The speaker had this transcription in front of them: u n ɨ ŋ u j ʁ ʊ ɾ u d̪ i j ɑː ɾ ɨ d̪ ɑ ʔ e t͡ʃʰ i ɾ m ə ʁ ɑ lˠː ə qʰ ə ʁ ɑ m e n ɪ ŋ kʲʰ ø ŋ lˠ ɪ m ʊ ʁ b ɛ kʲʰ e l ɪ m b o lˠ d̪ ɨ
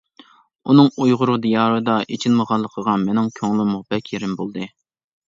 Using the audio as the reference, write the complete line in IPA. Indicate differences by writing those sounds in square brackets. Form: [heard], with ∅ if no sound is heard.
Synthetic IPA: u n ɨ ŋ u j ʁ ʊ ɾ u d̪ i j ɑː ɾ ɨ d̪ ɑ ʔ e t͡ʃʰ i [l] m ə ʁ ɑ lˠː ə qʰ ə ʁ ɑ m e n ɪ ŋ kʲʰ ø ŋ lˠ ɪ m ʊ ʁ b ɛ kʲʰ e [ɾ] ɪ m b o lˠ d̪ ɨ